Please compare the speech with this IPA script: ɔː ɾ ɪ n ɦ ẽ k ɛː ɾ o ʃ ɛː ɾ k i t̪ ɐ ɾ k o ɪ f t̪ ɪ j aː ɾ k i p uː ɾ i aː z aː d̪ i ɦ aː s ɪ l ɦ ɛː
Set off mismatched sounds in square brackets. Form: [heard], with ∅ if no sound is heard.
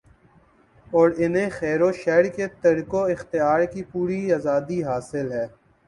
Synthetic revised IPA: ɔː ɾ ɪ n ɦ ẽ [x] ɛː ɾ o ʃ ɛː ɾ k [e] t̪ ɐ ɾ k o ɪ [x] t̪ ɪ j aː ɾ k i p uː ɾ i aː z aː d̪ i ɦ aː s ɪ l ɦ ɛː